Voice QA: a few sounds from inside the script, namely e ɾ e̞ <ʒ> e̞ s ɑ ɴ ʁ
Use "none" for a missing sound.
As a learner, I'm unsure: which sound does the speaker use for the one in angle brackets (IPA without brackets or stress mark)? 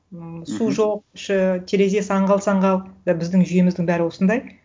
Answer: z